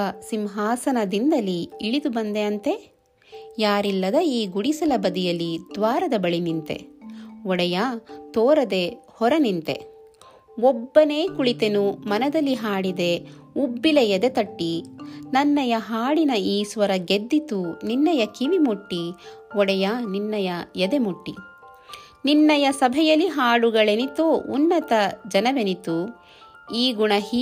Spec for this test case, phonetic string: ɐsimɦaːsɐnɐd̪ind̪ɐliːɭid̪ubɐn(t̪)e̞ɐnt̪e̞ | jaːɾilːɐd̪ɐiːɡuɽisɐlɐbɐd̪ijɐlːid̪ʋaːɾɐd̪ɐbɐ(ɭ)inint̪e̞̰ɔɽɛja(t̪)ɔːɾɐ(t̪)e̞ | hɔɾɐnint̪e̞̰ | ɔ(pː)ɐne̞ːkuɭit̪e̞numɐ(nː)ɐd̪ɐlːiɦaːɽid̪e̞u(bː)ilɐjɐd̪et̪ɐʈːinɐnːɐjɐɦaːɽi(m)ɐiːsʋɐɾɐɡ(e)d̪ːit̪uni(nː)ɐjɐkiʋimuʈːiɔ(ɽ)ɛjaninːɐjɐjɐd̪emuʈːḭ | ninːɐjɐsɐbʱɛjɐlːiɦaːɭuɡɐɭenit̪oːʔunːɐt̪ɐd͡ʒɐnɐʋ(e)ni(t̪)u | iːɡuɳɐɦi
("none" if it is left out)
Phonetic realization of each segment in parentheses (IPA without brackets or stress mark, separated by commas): d̪, ɭ, t̪, d̪, bː, n, bː, n, e, nː, ɽ, e, t̪